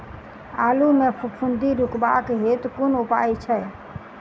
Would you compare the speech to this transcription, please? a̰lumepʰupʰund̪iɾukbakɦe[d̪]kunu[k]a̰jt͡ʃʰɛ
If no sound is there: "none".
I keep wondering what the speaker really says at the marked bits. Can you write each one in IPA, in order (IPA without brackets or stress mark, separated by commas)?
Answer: t̪, p